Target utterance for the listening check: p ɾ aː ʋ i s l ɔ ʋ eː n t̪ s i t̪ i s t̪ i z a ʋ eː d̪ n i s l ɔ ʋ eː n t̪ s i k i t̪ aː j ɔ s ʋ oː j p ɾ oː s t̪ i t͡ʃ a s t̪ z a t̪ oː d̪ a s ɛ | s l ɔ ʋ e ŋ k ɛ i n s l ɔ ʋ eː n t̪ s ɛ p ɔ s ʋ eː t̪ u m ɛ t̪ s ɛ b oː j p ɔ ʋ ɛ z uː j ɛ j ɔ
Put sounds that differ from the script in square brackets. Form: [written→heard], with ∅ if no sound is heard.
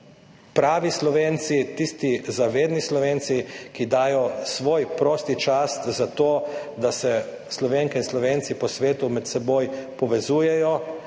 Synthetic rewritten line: p ɾ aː ʋ i s l ɔ ʋ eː n t̪ s i t̪ i s t̪ i z a ʋ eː d̪ n i s l ɔ ʋ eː n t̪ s i k i [t̪→d̪] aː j ɔ s ʋ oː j p ɾ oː s t̪ i t͡ʃ a s t̪ z a t̪ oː d̪ a s ɛ | s l ɔ ʋ e ŋ k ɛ i n s l ɔ ʋ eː n t̪ s [ɛ→i] p ɔ s ʋ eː t̪ u m ɛ t̪ s ɛ b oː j p ɔ ʋ ɛ z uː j ɛ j ɔ